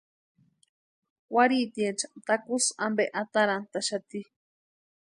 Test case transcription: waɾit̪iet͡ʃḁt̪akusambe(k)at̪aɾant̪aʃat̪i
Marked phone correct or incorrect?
incorrect